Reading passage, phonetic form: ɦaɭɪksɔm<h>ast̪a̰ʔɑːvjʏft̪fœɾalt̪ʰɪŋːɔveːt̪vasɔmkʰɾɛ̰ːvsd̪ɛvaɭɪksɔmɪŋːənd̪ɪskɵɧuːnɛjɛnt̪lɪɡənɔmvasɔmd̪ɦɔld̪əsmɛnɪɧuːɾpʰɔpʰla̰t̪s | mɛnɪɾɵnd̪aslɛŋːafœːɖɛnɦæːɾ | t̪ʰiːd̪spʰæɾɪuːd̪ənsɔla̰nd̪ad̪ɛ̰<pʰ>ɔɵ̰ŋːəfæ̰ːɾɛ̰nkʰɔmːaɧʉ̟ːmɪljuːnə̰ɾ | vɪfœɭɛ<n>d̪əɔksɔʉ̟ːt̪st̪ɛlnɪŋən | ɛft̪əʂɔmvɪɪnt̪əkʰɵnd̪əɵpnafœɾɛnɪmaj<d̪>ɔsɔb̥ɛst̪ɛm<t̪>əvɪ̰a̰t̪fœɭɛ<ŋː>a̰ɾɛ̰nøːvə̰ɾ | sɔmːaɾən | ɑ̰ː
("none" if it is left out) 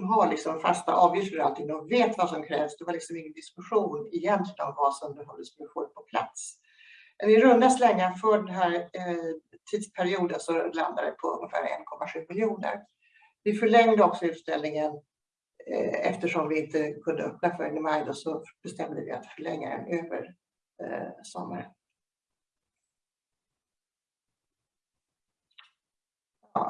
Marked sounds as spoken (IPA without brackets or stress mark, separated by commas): f, pʰ, ŋ, d̪, d̪, ŋː